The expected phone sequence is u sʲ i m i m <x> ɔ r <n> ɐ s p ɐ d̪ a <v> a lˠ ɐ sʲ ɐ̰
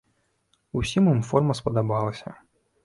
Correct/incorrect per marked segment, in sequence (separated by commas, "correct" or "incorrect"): incorrect, incorrect, incorrect